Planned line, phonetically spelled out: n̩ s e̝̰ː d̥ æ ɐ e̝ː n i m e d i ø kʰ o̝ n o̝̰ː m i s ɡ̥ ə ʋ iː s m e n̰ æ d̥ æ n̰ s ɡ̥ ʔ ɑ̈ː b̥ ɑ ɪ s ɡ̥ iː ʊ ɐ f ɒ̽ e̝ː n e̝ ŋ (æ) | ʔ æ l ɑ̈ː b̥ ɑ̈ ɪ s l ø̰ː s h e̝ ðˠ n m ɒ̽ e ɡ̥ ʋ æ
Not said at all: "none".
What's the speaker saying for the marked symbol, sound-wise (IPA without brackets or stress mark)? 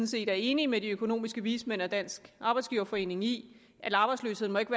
i